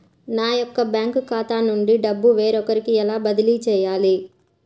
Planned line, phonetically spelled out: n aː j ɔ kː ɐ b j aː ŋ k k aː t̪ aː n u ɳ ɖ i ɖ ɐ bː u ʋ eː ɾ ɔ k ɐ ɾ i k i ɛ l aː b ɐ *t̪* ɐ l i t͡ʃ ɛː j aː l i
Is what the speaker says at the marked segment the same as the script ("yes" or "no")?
no